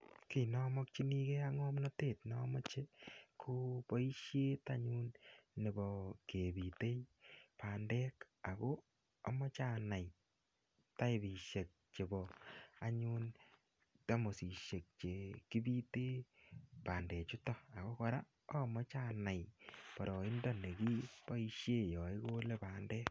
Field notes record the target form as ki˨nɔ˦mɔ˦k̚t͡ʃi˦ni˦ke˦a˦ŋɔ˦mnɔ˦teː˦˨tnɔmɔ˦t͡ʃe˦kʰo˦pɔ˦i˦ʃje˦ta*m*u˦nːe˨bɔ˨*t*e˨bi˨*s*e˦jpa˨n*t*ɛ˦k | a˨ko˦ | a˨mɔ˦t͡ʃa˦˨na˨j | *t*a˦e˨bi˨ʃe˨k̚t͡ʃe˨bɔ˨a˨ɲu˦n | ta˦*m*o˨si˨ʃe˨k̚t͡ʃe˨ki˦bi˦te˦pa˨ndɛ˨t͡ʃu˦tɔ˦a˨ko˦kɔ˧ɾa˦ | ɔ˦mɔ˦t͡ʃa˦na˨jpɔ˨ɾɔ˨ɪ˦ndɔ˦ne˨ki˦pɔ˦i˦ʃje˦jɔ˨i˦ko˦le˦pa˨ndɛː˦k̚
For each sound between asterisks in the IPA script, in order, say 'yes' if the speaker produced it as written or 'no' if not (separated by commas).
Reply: no, no, no, no, yes, yes